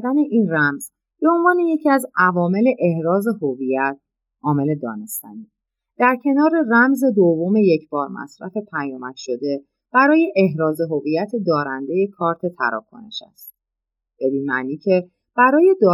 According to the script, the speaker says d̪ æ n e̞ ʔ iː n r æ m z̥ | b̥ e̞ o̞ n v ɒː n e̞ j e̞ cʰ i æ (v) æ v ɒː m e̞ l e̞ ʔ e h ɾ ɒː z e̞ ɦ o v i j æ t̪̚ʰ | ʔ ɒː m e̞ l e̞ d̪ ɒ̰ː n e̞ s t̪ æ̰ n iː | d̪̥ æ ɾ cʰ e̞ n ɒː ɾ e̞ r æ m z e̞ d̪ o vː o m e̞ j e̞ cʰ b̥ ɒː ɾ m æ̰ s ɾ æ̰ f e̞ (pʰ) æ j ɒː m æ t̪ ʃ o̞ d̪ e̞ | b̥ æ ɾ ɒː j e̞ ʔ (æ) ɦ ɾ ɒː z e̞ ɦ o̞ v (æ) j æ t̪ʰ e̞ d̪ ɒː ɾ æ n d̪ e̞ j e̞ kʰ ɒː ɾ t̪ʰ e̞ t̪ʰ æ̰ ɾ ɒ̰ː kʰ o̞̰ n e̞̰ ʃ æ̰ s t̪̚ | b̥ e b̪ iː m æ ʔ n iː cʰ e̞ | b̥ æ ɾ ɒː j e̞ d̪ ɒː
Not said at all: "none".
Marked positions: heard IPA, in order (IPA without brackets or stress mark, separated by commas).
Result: z, pʰ, e, i